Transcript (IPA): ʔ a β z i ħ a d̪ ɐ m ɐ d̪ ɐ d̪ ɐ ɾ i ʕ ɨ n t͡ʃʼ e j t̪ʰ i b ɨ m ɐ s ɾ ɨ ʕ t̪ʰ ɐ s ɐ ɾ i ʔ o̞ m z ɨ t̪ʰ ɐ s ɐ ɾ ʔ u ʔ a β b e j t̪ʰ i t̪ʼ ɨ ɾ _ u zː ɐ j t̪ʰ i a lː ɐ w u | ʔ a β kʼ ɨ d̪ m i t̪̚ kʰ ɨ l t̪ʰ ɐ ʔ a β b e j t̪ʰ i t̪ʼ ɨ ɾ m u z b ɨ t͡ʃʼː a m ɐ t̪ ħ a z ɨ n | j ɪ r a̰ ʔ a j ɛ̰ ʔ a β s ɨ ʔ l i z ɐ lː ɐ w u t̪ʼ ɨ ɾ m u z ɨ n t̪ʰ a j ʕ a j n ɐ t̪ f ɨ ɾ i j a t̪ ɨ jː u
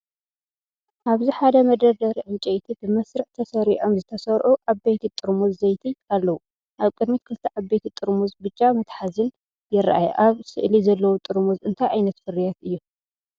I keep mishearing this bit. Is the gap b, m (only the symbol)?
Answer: m